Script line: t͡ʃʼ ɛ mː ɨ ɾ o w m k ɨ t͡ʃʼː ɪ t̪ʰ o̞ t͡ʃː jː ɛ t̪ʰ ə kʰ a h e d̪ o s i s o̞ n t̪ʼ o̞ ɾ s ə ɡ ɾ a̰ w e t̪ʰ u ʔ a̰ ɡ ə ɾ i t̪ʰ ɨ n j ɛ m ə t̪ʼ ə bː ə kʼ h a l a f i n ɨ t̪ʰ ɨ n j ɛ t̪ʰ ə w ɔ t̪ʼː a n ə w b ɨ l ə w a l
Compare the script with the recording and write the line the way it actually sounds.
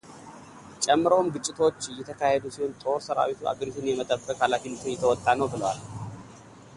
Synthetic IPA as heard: t͡ʃʼ ɛ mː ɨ ɾ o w m ɡ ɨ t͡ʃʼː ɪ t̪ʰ o̞ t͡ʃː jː ɛ t̪ʰ ə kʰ a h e d̪ u s i h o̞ n t̪ʼ o̞ ɾ s ə ɾ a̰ w i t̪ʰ u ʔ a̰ ɡ ə ɾ i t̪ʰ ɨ n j ɛ m ə t̪ʼ ə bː ə kʼ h a l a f i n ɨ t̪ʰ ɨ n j ɛ t̪ʰ ə w ɔ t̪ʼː a n ə w b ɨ l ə w a l